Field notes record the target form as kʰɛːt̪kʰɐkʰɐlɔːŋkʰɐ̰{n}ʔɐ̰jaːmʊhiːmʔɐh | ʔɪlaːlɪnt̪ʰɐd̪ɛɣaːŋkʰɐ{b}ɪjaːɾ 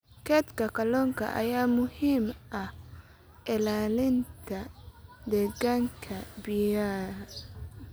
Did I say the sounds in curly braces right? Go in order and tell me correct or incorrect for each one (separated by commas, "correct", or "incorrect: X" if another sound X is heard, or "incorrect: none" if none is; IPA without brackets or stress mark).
incorrect: none, correct